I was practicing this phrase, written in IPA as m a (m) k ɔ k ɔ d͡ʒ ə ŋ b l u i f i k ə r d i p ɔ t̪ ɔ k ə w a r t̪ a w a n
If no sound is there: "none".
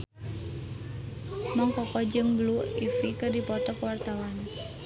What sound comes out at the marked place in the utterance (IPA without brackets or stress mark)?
ŋ